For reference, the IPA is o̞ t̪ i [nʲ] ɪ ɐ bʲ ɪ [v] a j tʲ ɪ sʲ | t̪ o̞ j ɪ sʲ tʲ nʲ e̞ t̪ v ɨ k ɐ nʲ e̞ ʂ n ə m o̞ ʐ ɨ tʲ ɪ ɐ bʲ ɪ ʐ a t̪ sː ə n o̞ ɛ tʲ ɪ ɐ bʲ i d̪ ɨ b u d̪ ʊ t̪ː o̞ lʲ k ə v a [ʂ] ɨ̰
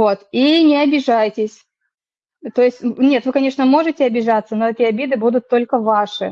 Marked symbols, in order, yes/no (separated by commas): yes, no, yes